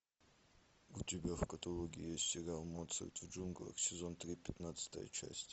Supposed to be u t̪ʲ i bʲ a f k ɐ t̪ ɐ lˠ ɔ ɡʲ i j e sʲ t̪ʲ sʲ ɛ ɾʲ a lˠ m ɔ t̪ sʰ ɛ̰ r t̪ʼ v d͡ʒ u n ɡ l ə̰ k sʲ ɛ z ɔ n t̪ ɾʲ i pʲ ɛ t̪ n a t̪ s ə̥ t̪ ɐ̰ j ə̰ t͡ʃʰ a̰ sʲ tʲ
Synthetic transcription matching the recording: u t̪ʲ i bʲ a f k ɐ t̪ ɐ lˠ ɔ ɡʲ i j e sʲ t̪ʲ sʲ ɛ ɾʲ a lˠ m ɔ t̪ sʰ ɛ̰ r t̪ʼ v d͡ʒ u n ɡ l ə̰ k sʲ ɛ z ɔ n t̪ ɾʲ i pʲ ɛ t̪ n a t̪ s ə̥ t̪ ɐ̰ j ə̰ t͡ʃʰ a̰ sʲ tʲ